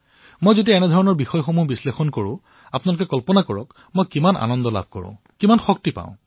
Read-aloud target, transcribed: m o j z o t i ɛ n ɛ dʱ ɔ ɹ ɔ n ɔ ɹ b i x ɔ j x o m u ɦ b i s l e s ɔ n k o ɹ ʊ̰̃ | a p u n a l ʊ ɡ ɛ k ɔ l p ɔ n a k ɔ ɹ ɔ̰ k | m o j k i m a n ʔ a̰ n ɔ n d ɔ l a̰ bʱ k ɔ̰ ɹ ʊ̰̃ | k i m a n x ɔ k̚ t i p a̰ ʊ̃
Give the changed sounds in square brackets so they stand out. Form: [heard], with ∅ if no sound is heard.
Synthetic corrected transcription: m o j z o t i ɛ n ɛ dʱ ɔ ɹ ɔ n ɔ ɹ b i x ɔ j x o m u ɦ b i s l e [x] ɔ n k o ɹ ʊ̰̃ | a p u n a l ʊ [k] ɛ k ɔ l p ɔ n a k ɔ ɹ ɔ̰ k | m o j k i m a n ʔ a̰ n ɔ n d ɔ l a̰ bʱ k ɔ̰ ɹ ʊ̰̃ | k i m a n x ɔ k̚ t i p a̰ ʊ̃

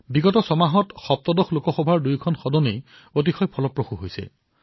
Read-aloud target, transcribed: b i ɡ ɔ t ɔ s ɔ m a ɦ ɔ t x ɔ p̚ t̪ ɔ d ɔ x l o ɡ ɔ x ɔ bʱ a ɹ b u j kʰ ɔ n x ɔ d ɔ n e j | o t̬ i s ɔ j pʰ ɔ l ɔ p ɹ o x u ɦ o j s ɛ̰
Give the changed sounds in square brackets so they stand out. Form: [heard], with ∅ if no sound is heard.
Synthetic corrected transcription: b i ɡ ɔ t ɔ s ɔ m a ɦ ɔ t x ɔ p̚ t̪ ɔ d ɔ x l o [k] ɔ x ɔ bʱ a ɹ [d] u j kʰ ɔ n x ɔ d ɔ n e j | o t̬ i [x] ɔ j pʰ ɔ l ɔ p ɹ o x u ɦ o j s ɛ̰

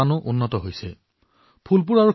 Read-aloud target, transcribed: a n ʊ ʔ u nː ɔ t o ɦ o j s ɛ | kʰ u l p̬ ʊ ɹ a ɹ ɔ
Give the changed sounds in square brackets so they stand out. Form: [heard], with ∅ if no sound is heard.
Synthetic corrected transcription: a n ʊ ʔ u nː ɔ t [ɔ] ɦ o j s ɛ | [pʰ] u l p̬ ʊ ɹ a ɹ [u]

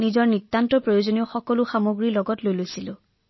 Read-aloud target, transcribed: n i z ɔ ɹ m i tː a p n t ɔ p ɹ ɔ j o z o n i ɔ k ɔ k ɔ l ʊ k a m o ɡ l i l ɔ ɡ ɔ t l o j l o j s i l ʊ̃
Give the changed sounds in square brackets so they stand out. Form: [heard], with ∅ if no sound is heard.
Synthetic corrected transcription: n i z ɔ ɹ [n] i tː a [∅] n t ɔ p ɹ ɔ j o z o n i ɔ [x] ɔ k ɔ l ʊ [x] a m o ɡ [ɹ] i l ɔ ɡ ɔ t l o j l o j s i l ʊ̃

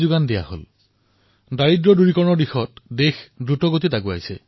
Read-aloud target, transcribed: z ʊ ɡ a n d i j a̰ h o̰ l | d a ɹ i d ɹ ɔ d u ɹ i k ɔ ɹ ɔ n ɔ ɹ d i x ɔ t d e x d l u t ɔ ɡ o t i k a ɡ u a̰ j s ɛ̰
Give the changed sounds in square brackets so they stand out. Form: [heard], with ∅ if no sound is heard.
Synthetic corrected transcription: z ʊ ɡ a n d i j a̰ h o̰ l | d a ɹ i d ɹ ɔ d u ɹ i k ɔ ɹ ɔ n ɔ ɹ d i x ɔ t d e x d [ɹ] u t ɔ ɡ o t i [t] a ɡ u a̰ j s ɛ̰

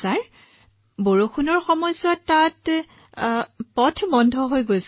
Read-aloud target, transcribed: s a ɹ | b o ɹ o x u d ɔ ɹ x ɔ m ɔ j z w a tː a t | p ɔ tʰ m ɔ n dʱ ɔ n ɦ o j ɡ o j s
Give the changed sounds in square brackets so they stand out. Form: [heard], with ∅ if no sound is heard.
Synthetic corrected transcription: s a ɹ | b o ɹ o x u [n] ɔ ɹ x ɔ m ɔ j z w a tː a t | p ɔ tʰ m ɔ n dʱ ɔ [∅] ɦ o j ɡ o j s

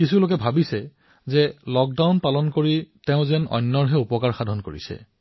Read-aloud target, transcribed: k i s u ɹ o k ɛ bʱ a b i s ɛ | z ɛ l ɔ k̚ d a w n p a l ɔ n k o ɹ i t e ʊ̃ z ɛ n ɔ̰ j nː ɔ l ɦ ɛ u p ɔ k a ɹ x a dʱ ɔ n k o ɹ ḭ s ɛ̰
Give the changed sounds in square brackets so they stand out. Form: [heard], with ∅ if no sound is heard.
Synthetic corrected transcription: k i s u [l] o k ɛ bʱ a b i s ɛ | z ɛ l ɔ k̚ d a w n p a l ɔ n k o ɹ i t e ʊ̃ z ɛ n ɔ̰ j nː ɔ [ɹ] ɦ ɛ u p ɔ k a ɹ x a dʱ ɔ n k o ɹ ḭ s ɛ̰

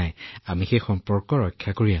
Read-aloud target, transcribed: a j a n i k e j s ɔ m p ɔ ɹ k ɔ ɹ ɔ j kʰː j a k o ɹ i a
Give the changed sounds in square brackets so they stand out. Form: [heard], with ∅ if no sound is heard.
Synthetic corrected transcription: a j a [m] i [x] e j [x] ɔ m p ɔ ɹ k ɔ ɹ ɔ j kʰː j a k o ɹ i a

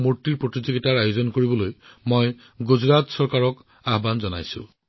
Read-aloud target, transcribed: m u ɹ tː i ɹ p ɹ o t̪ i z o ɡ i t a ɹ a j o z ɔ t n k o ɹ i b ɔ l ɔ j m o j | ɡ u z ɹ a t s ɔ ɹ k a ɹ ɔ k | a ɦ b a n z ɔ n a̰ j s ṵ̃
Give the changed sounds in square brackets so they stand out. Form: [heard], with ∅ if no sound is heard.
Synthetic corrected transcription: m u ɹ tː i ɹ p ɹ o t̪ i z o ɡ i t a ɹ a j o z ɔ [∅] n k o ɹ i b ɔ l [o] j m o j | ɡ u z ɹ a t s ɔ ɹ k a ɹ ɔ k | a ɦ b a n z ɔ n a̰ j s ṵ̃

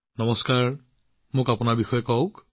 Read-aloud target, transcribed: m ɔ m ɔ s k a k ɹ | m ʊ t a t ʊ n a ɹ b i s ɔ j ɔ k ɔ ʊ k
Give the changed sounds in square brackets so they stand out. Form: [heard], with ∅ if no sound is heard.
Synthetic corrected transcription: [n] ɔ m ɔ s k a [∅] ɹ | m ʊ [k] a [p] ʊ n a ɹ b i [x] ɔ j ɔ k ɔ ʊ k

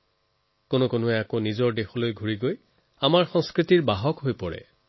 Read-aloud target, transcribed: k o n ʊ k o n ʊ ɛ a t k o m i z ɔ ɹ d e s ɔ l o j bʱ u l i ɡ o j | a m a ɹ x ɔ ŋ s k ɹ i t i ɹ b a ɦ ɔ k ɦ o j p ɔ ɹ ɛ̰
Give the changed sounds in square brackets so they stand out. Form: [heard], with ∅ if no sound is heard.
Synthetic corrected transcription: k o n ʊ k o n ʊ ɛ a [∅] k o [n] i z ɔ ɹ d e [x] ɔ l o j [ɡʱ] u [ɹ] i ɡ o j | a m a ɹ x ɔ ŋ s k ɹ i t i ɹ b a ɦ ɔ k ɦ o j p ɔ ɹ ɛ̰

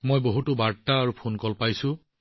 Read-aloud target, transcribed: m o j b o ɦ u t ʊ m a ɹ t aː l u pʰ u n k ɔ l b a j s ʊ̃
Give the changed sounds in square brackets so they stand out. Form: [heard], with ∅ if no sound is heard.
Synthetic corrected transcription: m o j b o ɦ u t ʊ [b] a ɹ t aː [ɹ] u pʰ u n k ɔ l [p] a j s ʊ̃

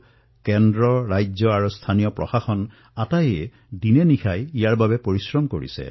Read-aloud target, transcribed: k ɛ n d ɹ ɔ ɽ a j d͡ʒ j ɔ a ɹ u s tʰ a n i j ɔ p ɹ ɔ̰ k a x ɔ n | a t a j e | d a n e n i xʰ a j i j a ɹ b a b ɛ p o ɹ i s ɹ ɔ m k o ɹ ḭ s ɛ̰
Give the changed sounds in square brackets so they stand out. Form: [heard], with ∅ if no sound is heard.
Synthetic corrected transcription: k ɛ n d ɹ ɔ [ɹ] a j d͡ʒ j ɔ a ɹ u s tʰ a n i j ɔ p ɹ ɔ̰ [x] a x ɔ n | a t a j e | d [i] n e n i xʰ a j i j a ɹ b a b ɛ p o ɹ i s ɹ ɔ m k o ɹ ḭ s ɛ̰

